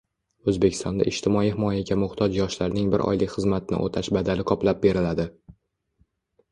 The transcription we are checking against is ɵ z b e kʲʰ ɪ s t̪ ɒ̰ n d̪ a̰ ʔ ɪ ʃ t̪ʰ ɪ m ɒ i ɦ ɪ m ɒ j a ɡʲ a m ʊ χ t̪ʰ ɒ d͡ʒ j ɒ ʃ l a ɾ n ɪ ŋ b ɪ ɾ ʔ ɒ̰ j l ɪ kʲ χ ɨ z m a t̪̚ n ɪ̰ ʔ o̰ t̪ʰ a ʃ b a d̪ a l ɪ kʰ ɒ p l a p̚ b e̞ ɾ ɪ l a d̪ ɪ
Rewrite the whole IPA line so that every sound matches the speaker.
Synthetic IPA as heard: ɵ z b e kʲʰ ɪ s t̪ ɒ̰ n d̪ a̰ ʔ ɪ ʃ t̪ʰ ɪ m ɒ i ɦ ɪ m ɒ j a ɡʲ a m ʊ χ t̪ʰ ɒ d͡ʒ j ɒ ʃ l a ɾ n ɪ ŋ b ɪ ɾ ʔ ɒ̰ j l ɪ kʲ χ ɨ z m a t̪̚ n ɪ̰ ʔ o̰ t̪ʰ a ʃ b a d̪ a l ɪ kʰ ɒ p l a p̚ b e̞ ɾ ɪ l a d̪ ɪ